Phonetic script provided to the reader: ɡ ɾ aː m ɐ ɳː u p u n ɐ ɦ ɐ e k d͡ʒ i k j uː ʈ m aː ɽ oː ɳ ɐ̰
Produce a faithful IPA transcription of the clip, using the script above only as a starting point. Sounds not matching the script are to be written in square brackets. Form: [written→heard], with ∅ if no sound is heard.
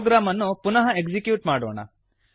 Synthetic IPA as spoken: ɡ ɾ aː m ɐ [ɳː→nː] u p u n ɐ ɦ ɐ e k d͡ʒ i k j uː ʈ m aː ɽ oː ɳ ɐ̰